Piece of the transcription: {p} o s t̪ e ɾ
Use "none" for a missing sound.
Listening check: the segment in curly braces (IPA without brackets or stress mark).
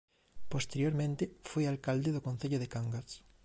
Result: p